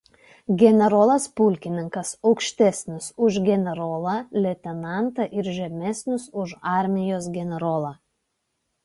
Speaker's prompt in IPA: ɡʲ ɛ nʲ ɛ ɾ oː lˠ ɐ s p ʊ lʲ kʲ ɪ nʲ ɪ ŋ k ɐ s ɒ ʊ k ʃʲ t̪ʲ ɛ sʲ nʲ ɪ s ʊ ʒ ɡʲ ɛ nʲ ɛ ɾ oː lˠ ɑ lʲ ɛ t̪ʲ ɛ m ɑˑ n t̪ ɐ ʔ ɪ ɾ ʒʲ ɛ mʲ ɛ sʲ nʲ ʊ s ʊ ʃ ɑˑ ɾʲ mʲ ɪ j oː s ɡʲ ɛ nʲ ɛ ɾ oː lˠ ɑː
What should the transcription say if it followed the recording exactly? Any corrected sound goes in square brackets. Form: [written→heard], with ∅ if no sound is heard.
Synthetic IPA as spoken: ɡʲ ɛ nʲ ɛ ɾ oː lˠ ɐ s p ʊ lʲ kʲ ɪ nʲ ɪ ŋ k ɐ s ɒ ʊ k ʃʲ t̪ʲ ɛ sʲ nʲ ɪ s ʊ ʒ ɡʲ ɛ nʲ ɛ ɾ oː lˠ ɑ lʲ ɛ t̪ʲ ɛ [m→n] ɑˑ n t̪ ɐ ʔ ɪ ɾ ʒʲ ɛ mʲ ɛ sʲ nʲ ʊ s ʊ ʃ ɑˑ ɾʲ mʲ ɪ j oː s ɡʲ ɛ nʲ ɛ ɾ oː lˠ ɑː